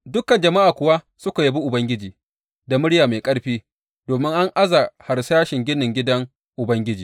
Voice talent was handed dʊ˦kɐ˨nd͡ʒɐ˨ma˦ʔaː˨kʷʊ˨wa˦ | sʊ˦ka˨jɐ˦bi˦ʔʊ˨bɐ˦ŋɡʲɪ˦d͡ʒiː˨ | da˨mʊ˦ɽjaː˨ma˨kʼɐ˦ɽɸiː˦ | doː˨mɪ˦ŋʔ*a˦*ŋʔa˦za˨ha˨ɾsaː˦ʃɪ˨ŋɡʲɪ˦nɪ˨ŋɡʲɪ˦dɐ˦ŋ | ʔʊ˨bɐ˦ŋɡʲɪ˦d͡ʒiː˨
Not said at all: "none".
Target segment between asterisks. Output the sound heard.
a˦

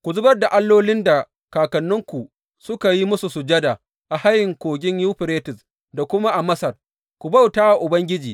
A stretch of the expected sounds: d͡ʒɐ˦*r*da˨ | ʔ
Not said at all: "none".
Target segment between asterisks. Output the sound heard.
none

